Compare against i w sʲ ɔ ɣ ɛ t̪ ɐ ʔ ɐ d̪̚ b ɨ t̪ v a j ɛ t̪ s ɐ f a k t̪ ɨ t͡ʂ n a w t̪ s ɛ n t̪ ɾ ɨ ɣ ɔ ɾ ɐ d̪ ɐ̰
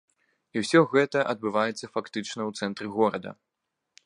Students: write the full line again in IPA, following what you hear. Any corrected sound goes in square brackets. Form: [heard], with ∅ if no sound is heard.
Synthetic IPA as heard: i w sʲ ɔ ɣ ɛ t̪ ɐ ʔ ɐ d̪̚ b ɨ [∅] v a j ɛ t̪ [sː] ɐ f a k t̪ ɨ t͡ʂ n [ɐ] w t̪ s ɛ n t̪ ɾ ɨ ɣ ɔ ɾ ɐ d̪ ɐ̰